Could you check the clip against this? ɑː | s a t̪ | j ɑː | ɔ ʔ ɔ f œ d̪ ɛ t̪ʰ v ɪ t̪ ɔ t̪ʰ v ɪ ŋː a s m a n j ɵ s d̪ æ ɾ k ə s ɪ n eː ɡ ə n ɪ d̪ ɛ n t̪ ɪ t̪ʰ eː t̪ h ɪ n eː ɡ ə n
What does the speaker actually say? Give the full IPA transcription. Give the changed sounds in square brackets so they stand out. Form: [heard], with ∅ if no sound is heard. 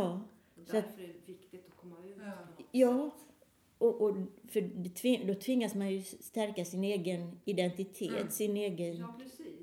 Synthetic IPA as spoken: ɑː | s a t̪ | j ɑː | ɔ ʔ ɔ f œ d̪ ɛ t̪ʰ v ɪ [d̪] ɔ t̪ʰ v ɪ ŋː a s m a n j ɵ s [t̪] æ ɾ k [a] s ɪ n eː ɡ ə n ɪ d̪ ɛ n t̪ ɪ t̪ʰ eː t̪ [s] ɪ n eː ɡ ə n